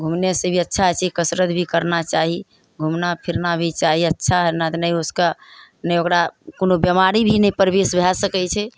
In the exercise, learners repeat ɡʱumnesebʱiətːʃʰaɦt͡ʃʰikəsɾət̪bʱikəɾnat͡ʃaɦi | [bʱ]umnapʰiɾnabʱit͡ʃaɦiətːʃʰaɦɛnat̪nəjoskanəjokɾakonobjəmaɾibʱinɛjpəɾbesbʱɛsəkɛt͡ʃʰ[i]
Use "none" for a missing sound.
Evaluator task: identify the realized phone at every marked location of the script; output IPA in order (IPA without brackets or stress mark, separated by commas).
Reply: ɡʱ, ɛ